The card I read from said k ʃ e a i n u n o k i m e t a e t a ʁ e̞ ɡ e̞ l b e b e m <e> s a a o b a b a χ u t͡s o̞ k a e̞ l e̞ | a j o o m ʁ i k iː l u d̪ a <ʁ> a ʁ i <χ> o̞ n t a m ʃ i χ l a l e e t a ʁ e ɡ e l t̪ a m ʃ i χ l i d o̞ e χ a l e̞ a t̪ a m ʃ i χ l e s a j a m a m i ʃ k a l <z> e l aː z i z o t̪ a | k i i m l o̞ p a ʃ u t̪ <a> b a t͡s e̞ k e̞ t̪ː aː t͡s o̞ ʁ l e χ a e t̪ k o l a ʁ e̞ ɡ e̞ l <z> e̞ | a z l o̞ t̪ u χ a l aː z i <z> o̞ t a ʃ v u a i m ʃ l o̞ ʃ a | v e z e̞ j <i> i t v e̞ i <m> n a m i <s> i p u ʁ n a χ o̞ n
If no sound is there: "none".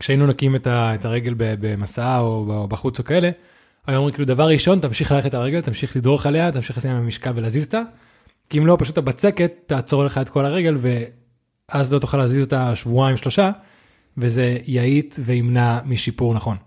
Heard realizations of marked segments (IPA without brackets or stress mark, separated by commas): a, v, ʃ, v, a, v, z, a, m, ʃ